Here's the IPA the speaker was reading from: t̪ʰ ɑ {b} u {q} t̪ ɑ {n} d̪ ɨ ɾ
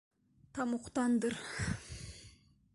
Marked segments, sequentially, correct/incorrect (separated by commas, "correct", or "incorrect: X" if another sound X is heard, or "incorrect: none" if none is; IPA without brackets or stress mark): incorrect: m, correct, correct